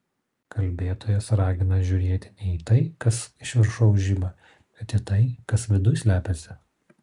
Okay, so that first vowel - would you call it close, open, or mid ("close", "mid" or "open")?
open